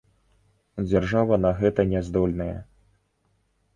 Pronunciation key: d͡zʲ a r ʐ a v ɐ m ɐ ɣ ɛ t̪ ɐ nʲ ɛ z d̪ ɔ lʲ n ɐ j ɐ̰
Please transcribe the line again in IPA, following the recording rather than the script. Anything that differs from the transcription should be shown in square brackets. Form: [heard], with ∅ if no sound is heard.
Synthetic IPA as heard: d͡zʲ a r ʐ a v ɐ [n] ɐ ɣ ɛ t̪ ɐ nʲ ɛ z d̪ ɔ lʲ n ɐ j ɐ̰

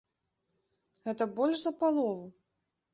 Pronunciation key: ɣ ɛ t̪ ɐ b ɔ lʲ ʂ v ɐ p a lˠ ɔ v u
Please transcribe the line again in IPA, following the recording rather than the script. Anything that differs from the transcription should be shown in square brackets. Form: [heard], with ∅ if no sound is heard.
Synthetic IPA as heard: ɣ ɛ t̪ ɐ b ɔ lʲ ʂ [z] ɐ p a lˠ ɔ v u

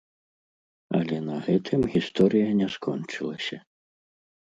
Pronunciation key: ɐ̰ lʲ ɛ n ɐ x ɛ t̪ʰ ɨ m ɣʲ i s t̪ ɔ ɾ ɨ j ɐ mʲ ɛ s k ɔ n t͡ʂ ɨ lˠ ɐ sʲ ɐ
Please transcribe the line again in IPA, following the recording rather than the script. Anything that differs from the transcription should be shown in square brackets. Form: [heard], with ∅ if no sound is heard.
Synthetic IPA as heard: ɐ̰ lʲ ɛ n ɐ [ɣ] ɛ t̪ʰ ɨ m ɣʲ i s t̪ ɔ ɾ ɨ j ɐ [nʲ] ɛ s k ɔ n t͡ʂ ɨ lˠ ɐ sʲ ɐ

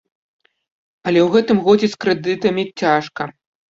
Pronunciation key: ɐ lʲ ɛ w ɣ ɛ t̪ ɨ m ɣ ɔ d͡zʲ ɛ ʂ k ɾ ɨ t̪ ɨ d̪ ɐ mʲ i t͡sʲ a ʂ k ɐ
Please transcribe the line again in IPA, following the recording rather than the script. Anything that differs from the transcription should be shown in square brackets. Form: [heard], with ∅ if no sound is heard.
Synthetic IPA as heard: ɐ lʲ ɛ w ɣ ɛ t̪ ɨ m ɣ ɔ d͡zʲ ɛ [s] k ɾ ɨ [d̪] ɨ [t̪] ɐ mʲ i t͡sʲ a ʂ k ɐ

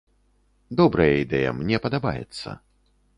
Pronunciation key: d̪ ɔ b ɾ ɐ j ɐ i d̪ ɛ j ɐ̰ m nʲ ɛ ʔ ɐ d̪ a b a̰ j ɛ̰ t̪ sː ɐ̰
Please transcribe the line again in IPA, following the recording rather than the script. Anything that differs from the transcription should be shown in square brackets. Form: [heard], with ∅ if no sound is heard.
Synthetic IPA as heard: d̪ ɔ b ɾ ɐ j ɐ i d̪ ɛ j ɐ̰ m nʲ ɛ [p] ɐ d̪ a b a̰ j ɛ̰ t̪ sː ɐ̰

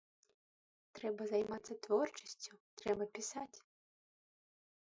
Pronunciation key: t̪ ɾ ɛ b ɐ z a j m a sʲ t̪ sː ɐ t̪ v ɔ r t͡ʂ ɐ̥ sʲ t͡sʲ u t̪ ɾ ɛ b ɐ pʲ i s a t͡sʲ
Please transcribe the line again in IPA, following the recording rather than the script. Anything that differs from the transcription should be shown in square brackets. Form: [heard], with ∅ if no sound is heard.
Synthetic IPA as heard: t̪ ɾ ɛ b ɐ z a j m a [∅] t̪ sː ɐ t̪ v ɔ r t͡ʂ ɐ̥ sʲ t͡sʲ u t̪ ɾ ɛ b ɐ pʲ i s a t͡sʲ

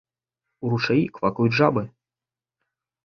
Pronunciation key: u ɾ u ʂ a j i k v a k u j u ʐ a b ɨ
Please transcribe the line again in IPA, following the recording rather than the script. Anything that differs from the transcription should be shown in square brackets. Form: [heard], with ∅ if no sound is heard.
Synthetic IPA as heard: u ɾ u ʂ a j i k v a k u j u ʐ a b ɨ

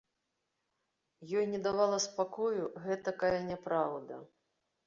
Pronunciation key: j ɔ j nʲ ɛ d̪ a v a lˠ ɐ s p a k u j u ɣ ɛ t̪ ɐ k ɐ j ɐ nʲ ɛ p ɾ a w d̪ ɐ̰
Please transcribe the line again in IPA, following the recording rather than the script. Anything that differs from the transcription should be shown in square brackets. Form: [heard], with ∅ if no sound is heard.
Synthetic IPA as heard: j ɔ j nʲ ɛ d̪ a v a lˠ ɐ s p a k [ɔ] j u ɣ ɛ t̪ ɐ k [a] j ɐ nʲ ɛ p ɾ a w d̪ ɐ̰

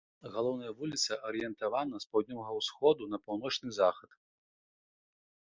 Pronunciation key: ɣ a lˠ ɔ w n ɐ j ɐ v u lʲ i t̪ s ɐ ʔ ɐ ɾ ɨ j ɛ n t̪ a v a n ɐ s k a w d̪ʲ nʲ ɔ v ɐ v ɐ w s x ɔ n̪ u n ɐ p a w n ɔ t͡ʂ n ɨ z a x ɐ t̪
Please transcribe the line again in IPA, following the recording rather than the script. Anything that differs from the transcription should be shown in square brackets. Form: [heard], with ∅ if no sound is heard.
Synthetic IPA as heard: ɣ a lˠ ɔ w n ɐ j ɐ v u lʲ i t̪ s ɐ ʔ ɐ ɾ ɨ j ɛ n t̪ a v a n ɐ s [p] a w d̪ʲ nʲ ɔ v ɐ [ɣ] ɐ w s x ɔ [d̪] u n ɐ p a w n ɔ t͡ʂ n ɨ z a x ɐ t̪

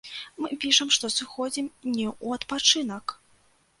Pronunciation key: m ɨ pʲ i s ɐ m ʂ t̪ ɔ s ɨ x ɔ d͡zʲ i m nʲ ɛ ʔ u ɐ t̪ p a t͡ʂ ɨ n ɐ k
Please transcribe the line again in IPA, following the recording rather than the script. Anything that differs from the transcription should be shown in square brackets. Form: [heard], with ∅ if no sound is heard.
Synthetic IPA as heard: m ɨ pʲ i [ʂ] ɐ m ʂ t̪ ɔ s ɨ x ɔ d͡zʲ i m nʲ ɛ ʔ u ɐ t̪ p a t͡ʂ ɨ n ɐ k

